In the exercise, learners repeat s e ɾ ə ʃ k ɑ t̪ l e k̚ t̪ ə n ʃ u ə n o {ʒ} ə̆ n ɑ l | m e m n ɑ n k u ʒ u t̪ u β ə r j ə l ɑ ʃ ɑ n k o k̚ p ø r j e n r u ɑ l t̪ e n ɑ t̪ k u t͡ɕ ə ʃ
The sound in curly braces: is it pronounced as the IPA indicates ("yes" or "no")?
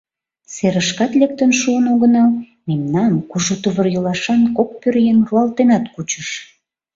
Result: no